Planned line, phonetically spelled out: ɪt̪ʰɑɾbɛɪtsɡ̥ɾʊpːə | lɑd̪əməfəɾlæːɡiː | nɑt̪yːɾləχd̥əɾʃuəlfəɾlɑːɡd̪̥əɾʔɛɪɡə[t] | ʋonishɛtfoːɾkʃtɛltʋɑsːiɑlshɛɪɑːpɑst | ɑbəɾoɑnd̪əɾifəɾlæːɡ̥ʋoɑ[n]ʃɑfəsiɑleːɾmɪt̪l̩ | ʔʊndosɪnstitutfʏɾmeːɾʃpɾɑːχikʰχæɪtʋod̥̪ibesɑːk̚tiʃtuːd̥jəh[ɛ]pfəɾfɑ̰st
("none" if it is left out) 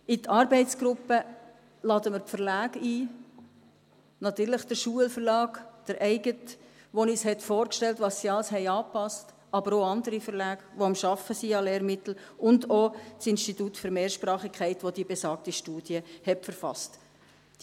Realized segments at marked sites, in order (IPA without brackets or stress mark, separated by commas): t, m, ɛ